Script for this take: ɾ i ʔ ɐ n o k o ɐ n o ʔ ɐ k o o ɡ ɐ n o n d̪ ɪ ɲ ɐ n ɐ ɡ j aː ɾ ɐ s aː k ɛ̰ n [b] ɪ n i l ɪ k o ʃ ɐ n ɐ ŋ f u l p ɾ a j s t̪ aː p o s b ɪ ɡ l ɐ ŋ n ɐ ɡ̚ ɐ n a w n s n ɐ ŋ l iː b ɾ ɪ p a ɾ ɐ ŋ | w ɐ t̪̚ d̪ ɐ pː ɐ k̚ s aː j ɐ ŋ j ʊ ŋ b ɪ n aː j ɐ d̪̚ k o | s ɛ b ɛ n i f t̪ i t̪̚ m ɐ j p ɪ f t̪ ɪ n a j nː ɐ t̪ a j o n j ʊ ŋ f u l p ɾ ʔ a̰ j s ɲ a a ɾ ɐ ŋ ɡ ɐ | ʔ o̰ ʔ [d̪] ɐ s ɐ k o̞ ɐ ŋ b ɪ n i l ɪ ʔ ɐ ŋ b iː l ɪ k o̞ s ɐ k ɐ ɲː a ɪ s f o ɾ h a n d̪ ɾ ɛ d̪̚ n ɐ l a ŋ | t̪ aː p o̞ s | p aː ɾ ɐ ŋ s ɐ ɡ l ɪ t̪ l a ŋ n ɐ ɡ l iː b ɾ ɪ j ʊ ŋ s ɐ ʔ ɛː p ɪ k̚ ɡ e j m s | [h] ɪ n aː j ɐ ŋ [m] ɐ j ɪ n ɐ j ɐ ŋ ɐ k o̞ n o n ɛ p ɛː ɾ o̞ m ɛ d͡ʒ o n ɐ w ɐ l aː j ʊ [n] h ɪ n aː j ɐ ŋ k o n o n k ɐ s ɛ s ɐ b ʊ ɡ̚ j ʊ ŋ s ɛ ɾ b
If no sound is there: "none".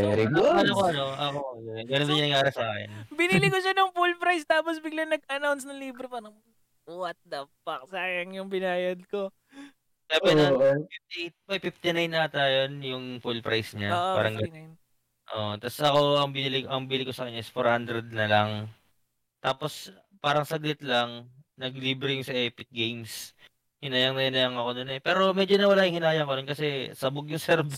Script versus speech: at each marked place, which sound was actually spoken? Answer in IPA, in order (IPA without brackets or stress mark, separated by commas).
b, t̪, h, n, ŋ